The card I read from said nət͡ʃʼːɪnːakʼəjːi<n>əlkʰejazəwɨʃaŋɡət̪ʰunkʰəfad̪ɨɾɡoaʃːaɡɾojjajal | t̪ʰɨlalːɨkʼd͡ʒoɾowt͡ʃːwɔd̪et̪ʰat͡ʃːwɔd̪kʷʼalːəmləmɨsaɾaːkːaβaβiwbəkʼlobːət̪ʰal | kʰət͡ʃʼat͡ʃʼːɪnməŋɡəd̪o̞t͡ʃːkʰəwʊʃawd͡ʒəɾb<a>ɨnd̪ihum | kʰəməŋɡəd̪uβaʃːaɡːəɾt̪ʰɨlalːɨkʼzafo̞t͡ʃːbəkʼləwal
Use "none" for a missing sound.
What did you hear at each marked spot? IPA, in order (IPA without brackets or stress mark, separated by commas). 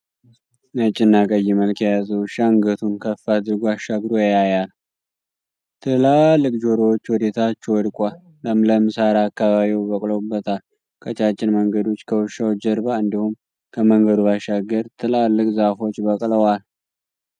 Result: m, a